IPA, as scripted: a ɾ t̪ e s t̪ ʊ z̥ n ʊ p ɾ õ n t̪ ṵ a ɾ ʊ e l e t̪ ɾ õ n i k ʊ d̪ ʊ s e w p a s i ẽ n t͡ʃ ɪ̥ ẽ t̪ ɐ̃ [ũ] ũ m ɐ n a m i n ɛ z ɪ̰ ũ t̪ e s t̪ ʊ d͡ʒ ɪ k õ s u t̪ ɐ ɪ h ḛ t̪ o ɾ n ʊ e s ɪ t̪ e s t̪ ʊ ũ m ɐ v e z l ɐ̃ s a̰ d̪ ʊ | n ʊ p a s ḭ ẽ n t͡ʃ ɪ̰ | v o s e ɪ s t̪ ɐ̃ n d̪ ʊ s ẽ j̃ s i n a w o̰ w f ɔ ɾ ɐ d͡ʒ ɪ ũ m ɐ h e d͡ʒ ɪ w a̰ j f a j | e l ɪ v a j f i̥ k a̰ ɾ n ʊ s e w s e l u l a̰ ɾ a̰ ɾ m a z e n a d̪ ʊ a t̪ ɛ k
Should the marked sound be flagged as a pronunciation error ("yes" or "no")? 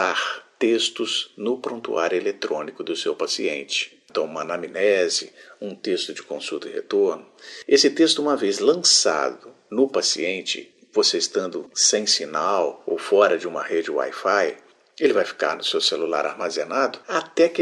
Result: yes